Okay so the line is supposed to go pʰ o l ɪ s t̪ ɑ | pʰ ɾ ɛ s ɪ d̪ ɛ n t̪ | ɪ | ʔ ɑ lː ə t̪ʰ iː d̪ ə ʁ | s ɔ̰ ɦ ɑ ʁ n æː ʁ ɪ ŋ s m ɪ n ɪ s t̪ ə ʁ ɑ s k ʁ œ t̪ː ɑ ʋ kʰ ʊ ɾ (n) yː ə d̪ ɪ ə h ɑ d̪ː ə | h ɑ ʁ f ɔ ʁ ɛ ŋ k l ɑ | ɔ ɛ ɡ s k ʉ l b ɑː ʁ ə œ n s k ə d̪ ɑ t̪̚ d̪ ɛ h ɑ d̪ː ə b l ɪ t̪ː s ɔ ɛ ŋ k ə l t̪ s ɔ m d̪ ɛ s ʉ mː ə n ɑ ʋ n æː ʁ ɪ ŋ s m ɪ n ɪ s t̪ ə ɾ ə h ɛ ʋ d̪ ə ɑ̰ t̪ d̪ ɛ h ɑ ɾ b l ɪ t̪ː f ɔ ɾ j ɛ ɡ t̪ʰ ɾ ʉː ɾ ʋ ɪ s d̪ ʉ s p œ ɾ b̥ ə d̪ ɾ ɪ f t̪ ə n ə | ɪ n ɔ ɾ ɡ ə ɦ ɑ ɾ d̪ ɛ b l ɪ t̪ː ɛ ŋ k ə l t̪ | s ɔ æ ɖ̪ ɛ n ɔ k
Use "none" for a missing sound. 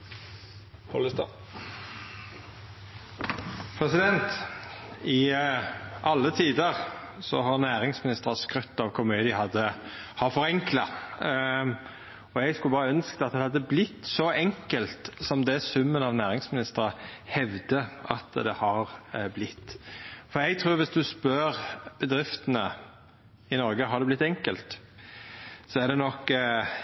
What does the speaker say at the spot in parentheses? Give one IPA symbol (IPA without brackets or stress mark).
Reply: m